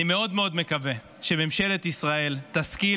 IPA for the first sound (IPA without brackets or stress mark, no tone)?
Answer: i